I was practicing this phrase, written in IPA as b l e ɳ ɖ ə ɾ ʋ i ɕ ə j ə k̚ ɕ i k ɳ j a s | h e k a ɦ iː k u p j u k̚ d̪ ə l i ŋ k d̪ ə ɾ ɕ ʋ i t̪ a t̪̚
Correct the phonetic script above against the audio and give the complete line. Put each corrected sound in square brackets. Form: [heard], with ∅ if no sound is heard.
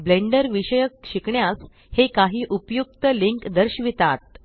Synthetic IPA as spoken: b l e ɳ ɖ ə ɾ ʋ i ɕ ə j ə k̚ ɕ i k ɳ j a s | h e k a ɦ iː [ʔ] u p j u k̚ [t̪] ə l i ŋ k d̪ ə ɾ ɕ ʋ i t̪ a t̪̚

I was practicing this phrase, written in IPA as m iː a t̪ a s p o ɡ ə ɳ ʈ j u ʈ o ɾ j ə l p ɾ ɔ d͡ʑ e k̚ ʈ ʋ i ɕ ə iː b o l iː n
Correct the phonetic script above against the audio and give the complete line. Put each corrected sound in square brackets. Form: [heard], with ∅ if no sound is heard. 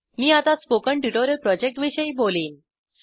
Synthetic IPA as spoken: m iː a t̪ a s p o [k] ə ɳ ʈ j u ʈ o ɾ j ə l p ɾ ɔ d͡ʑ e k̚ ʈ ʋ i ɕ ə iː b o l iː n

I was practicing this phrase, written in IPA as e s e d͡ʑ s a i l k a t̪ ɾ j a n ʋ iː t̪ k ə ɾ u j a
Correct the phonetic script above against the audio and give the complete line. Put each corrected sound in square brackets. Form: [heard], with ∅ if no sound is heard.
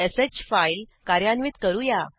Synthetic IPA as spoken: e s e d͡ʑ [f] a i l k a [∅] ɾ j a n ʋ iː t̪ k ə ɾ u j a

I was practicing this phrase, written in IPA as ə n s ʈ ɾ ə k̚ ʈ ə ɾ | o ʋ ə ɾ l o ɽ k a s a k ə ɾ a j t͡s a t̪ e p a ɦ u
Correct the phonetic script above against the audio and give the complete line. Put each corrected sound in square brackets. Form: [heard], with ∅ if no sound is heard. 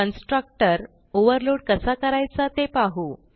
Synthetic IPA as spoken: ə n s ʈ ɾ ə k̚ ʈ ə ɾ | o ʋ ə ɾ l o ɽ k [ə] s a k ə ɾ a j t͡s a t̪ e p a ɦ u

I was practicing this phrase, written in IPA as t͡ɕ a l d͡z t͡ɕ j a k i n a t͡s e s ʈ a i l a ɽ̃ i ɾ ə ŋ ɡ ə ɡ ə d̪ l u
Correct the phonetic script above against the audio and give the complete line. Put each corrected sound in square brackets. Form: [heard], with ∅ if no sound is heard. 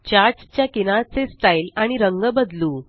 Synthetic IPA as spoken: t͡ɕ a [ɾ] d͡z t͡ɕ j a k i n a t͡s e s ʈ a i l a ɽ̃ i ɾ ə ŋ ɡ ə [b] ə d̪ l u

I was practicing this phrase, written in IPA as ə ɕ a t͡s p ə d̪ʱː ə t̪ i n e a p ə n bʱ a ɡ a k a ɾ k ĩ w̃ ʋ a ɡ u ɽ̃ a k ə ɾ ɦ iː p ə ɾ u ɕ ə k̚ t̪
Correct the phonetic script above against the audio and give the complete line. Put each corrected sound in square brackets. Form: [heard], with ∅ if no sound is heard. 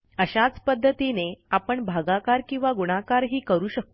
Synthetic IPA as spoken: ə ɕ a t͡s p ə d̪ʱː ə t̪ i n e a p ə [ɳ] bʱ a ɡ a k a ɾ k ĩ w̃ ʋ a ɡ u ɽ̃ a k [a] ɾ ɦ iː [k] ə ɾ [uː] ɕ ə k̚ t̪

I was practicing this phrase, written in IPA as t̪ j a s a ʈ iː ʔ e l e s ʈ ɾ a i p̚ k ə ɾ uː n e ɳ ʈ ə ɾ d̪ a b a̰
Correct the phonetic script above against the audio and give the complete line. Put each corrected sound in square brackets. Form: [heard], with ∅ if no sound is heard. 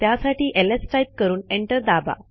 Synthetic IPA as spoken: t̪ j a s a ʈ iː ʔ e l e s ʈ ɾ a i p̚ k ə ɾ uː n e ɳ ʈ ə ɾ d̪ a b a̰

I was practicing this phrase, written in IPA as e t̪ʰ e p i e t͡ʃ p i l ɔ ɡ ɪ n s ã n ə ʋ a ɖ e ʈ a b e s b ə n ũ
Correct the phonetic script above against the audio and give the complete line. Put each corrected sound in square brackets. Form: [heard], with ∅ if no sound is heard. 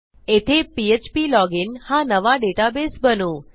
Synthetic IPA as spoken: e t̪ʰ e p i e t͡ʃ p i l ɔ ɡ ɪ n [h] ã n ə ʋ a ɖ e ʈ a b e s b ə n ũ

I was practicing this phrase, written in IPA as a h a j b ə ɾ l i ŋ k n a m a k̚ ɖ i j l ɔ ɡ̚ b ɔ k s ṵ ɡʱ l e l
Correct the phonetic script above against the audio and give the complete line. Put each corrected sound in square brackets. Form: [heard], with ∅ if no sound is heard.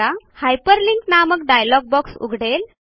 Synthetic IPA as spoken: a h a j [p] ə ɾ l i ŋ k n a m [ə] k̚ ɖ [a] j l ɔ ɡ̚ b ɔ k s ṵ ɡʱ [ɽ] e l

